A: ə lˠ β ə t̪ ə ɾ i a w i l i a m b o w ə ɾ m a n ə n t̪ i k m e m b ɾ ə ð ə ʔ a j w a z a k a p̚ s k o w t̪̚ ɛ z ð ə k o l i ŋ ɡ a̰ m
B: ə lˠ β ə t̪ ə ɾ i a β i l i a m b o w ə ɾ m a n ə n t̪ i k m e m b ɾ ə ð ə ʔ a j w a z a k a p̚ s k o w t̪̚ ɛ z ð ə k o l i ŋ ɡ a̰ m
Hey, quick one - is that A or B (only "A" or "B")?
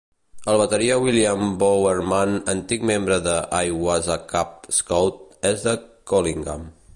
A